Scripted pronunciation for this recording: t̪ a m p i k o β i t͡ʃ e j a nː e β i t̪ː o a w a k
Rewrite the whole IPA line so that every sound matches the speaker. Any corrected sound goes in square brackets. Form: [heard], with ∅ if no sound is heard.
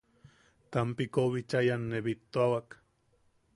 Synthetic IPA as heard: t̪ a m p i k o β i t͡ʃ [a] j a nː e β i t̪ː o a w a k